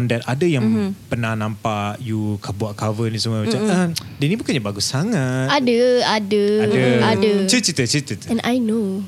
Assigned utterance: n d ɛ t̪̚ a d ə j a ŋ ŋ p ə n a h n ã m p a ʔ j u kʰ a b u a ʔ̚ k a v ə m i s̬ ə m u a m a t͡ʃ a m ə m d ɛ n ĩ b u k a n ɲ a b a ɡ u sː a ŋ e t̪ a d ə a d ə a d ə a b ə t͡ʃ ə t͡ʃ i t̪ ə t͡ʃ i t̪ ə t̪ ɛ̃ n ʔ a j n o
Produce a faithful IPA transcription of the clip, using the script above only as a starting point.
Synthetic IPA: n d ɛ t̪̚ a d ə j a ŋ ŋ p ə n a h n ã m p a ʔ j u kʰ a b u a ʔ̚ k a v ə n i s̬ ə m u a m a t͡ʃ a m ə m d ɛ n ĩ b u k a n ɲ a b a ɡ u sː a ŋ a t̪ a d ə a d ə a d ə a d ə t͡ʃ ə t͡ʃ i t̪ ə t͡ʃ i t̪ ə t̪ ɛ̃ n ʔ a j n o